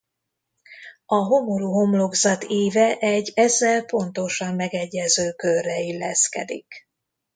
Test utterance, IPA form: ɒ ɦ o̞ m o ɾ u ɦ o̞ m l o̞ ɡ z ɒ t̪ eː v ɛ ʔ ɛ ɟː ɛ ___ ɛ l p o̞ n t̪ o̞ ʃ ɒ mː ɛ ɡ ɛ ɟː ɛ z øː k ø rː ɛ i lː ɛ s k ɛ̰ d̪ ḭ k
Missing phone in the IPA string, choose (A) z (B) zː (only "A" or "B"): B